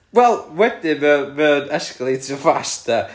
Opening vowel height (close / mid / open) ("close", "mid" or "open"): mid